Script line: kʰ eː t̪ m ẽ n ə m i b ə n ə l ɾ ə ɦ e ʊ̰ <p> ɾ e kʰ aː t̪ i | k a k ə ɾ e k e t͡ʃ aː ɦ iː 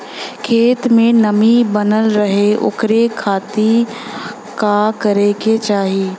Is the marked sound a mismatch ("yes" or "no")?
yes